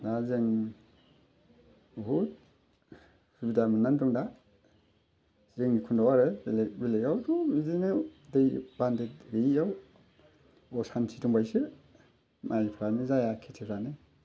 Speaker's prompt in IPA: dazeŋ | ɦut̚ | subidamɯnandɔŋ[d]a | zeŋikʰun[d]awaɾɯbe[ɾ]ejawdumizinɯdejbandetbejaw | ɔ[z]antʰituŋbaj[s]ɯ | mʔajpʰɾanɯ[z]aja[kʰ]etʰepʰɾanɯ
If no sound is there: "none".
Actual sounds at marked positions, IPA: d, d, l, s, s, z, kʰ

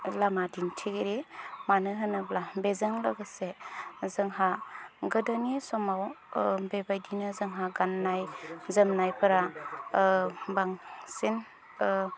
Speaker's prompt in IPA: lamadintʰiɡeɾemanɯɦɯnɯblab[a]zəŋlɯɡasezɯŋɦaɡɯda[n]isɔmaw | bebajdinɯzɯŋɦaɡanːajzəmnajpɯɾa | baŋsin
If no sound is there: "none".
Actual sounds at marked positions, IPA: e, n

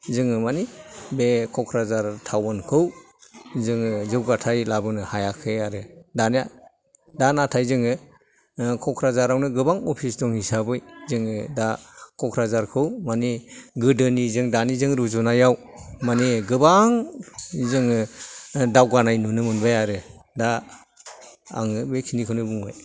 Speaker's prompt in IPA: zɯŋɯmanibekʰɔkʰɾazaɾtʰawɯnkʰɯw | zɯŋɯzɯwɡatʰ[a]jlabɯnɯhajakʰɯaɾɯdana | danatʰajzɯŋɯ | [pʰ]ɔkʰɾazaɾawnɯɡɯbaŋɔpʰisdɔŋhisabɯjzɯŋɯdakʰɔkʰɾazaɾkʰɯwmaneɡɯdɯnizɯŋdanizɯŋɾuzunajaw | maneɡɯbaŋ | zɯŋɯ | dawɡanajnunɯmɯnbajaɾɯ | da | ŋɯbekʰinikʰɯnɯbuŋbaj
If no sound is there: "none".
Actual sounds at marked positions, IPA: a, kʰ

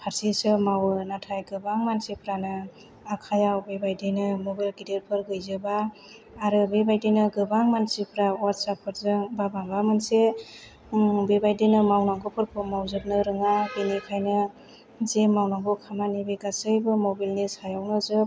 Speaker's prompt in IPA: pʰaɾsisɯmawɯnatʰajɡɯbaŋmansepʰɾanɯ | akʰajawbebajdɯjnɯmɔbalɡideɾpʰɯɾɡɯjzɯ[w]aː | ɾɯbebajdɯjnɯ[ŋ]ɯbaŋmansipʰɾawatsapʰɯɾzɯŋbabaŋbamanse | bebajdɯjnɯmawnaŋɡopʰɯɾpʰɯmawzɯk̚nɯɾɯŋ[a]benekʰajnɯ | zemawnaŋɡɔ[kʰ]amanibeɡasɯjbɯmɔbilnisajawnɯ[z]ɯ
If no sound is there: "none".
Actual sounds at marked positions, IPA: b, ɡ, a, kʰ, z

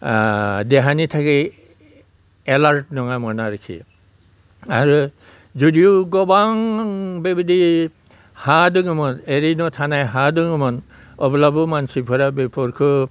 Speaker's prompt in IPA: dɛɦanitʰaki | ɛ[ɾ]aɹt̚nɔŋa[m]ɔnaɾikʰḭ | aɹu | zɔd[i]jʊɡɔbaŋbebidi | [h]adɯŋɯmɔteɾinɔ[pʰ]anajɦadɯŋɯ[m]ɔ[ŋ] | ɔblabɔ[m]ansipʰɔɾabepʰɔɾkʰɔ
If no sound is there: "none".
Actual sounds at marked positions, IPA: l, m, i, h, tʰ, m, n, m

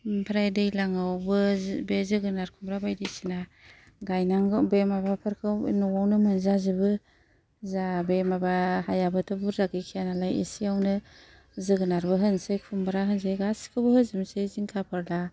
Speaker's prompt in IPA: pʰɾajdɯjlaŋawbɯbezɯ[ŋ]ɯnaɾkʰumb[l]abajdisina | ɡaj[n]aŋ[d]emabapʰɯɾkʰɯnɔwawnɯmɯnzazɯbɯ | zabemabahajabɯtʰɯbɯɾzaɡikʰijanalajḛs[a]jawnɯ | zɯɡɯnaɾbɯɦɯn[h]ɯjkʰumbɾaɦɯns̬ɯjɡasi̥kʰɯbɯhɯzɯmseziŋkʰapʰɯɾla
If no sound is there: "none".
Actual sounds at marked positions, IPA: ɡ, ɾ, n, b, i, s

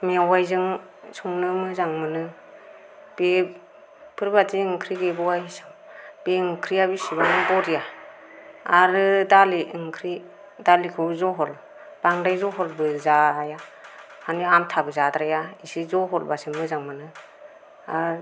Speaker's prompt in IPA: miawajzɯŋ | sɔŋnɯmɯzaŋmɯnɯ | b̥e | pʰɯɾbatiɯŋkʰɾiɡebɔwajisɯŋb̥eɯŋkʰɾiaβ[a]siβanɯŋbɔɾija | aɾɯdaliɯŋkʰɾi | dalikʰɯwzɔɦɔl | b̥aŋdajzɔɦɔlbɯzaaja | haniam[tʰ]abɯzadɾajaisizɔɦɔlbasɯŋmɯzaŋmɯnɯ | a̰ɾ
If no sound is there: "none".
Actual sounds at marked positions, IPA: i, tʰ

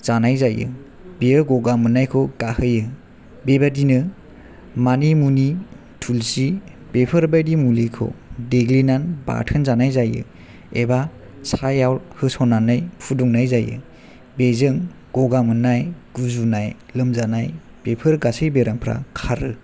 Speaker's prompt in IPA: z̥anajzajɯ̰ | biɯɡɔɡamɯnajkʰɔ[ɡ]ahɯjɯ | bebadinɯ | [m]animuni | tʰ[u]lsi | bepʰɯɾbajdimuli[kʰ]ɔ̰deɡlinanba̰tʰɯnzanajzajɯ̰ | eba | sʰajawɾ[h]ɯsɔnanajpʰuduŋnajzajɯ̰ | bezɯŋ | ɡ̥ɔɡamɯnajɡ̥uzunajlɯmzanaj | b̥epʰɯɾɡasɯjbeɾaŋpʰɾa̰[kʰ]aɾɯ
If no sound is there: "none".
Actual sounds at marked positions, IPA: ɡ, m, u, kʰ, h, kʰ

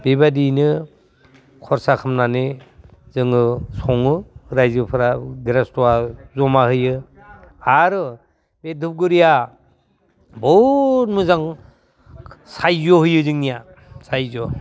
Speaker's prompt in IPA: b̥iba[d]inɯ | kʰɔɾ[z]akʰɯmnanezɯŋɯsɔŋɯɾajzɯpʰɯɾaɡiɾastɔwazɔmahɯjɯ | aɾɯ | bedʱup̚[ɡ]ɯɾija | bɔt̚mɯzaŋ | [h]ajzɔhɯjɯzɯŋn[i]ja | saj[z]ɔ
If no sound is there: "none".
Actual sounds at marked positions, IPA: d, s, ɡ, s, i, z

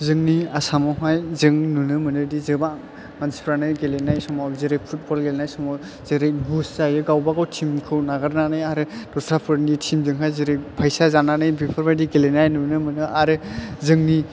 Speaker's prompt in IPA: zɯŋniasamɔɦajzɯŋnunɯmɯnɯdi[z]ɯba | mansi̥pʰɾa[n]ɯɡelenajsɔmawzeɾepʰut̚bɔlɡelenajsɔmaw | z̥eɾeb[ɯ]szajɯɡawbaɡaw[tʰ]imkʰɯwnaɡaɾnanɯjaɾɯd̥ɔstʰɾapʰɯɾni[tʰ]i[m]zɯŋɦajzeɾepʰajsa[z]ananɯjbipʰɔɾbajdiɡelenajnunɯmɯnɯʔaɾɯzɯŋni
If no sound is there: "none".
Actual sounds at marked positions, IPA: z, n, u, tʰ, tʰ, m, z

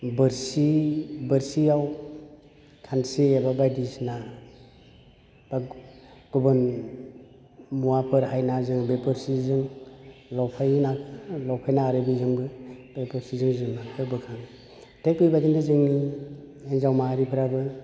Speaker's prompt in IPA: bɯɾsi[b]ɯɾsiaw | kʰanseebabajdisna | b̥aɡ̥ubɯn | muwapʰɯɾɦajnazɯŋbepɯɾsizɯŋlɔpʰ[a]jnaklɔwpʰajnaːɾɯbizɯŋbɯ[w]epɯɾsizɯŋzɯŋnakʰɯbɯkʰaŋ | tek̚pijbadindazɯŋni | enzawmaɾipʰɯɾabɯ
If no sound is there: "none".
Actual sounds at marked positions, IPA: b, a, b

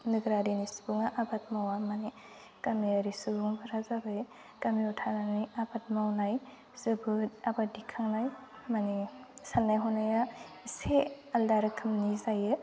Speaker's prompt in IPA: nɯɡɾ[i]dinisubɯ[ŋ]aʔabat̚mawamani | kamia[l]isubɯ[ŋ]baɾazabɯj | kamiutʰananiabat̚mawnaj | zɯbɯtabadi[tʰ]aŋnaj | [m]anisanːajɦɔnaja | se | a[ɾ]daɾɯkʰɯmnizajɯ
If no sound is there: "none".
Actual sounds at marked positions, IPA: a, ŋ, ɾ, ŋ, kʰ, m, l

